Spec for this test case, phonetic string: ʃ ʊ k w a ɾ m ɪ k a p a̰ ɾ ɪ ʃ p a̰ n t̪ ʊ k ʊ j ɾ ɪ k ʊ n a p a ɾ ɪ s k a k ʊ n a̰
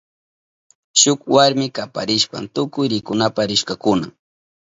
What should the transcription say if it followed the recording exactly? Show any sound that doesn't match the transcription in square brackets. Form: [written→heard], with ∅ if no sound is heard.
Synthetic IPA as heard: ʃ ʊ k w a ɾ m ɪ k a p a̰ ɾ ɪ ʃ p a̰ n t̪ ʊ k ʊ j ɾ ɪ k ʊ n a p a ɾ ɪ [s→ʃ] k a k ʊ n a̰